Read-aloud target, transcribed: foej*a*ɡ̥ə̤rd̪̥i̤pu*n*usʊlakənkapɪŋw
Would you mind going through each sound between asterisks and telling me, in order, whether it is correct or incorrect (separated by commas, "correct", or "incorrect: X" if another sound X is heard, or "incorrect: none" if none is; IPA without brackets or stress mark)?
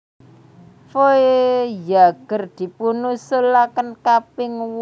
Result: correct, correct